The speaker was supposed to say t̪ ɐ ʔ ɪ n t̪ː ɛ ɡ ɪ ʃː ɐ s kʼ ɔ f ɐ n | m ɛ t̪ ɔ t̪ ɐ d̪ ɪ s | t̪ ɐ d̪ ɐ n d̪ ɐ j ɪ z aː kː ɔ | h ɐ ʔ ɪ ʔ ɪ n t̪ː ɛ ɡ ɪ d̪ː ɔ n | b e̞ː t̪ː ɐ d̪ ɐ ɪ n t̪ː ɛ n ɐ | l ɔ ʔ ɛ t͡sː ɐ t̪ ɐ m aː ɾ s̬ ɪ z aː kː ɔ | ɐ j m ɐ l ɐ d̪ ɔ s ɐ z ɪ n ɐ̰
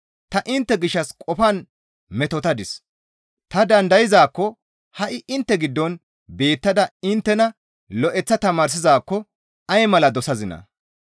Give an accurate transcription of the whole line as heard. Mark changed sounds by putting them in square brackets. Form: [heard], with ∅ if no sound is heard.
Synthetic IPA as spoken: t̪ ɐ ʔ ɪ n t̪ː ɛ ɡ ɪ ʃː ɐ s kʼ ɔ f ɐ n | m ɛ t̪ ɔ t̪ ɐ d̪ ɪ s | t̪ ɐ d̪ ɐ n d̪ ɐ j ɪ z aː kː ɔ | h ɐ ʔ ɪ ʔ ɪ n t̪ː ɛ ɡ ɪ d̪ː ɔ n | b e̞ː t̪ː ɐ d̪ ɐ ɪ n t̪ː ɛ n ɐ | l ɔ ʔ ɛ t͡sː ɐ t̪ ɐ m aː ɾ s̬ ɪ z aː kː ɔ | ɐ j m ɐ l ɐ d̪ ɔ s ɐ z ɪ n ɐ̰

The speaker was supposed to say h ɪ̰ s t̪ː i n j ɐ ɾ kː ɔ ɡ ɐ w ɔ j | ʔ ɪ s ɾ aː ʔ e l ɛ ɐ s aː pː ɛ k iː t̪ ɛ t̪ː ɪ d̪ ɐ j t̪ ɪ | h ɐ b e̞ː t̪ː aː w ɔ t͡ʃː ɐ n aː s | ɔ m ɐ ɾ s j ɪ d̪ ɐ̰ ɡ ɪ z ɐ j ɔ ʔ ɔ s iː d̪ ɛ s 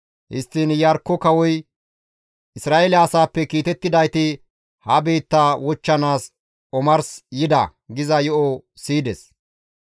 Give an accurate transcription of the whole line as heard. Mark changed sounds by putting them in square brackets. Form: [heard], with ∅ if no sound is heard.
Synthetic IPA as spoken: h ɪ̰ s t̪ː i n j ɐ ɾ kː ɔ [k] ɐ w ɔ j | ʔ ɪ s ɾ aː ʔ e l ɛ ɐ s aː pː ɛ k iː t̪ ɛ t̪ː ɪ d̪ ɐ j t̪ ɪ | h ɐ b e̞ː t̪ː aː w ɔ t͡ʃː ɐ n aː s | ɔ m ɐ ɾ s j ɪ d̪ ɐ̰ ɡ ɪ z ɐ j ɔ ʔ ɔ s iː d̪ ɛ s

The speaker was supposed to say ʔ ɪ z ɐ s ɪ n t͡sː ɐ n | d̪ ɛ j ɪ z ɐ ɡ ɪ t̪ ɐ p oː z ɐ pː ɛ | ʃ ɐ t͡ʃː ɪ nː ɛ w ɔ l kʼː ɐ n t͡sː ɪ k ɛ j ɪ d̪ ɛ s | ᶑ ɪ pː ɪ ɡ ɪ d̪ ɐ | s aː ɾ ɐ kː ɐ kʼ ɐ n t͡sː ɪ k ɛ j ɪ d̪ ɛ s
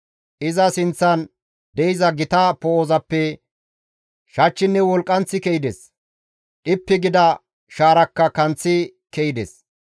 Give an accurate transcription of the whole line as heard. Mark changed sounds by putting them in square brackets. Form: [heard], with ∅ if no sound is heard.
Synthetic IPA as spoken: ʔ ɪ z ɐ s ɪ n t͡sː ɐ n | d̪ ɛ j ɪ z ɐ ɡ ɪ t̪ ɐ p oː z ɐ pː ɛ | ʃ ɐ t͡ʃː ɪ nː ɛ w ɔ l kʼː ɐ n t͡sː ɪ k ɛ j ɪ d̪ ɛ s | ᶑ ɪ pː ɪ ɡ ɪ d̪ ɐ | [ʃ] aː ɾ ɐ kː ɐ [k] ɐ n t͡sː ɪ k ɛ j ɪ d̪ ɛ s

